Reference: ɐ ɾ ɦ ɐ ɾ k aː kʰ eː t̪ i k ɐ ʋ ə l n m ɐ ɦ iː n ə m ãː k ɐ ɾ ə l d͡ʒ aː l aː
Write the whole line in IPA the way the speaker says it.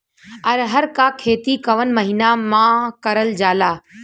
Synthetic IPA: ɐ ɾ ɦ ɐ ɾ k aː kʰ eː t̪ i k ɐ ʋ ə n m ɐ ɦ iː n a m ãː k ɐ ɾ ə l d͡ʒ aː l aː